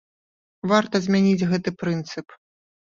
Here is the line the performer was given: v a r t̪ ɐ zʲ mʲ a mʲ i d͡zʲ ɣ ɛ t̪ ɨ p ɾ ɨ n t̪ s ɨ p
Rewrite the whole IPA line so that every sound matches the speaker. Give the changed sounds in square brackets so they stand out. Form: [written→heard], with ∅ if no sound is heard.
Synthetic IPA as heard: v a r t̪ ɐ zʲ mʲ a [mʲ→nʲ] i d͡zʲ ɣ ɛ t̪ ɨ p ɾ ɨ n t̪ s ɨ p